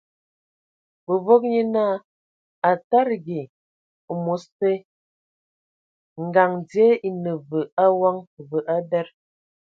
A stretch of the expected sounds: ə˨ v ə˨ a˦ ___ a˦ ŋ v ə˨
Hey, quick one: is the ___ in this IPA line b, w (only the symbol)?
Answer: w